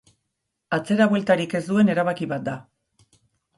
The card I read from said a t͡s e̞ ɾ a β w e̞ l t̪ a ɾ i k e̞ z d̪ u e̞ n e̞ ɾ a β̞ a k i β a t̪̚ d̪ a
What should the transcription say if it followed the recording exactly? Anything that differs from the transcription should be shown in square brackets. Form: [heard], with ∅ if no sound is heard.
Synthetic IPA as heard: a t͡s e̞ ɾ a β w e̞ l t̪ a ɾ i k e̞ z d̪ u e̞ n e̞ ɾ a β̞ a k i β a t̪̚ d̪ a